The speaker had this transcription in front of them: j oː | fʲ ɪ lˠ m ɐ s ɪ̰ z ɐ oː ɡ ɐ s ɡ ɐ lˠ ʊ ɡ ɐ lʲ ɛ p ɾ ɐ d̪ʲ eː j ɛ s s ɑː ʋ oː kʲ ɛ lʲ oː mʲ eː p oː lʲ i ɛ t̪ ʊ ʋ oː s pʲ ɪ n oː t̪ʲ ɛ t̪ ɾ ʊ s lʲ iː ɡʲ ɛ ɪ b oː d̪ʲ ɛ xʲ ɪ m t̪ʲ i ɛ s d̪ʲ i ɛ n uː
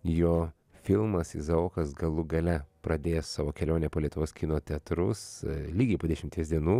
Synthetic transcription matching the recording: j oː | fʲ ɪ lˠ m ɐ s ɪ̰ z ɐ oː k ɐ s ɡ ɐ lˠ ʊ ɡ ɐ lʲ ɛ p ɾ ɐ d̪ʲ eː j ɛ s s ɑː ʋ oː kʲ ɛ lʲ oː nʲ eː p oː lʲ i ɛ t̪ ʊ ʋ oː s kʲ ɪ n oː t̪ʲ ɛ t̪ ɾ ʊ s lʲ iː ɡʲ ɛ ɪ p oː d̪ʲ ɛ ʃʲ ɪ m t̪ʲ i ɛ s d̪ʲ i ɛ n uː